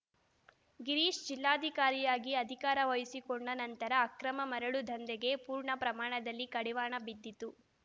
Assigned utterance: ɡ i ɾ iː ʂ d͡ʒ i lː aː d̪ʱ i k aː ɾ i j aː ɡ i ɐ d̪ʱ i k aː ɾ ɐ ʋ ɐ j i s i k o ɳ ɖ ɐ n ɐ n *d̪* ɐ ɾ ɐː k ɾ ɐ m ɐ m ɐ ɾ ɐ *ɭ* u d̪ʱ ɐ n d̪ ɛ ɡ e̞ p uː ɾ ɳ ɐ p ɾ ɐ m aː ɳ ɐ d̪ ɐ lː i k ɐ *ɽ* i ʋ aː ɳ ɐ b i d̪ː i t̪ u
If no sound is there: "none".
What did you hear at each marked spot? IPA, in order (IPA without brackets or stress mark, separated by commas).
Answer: t̪, ɭ, ɽ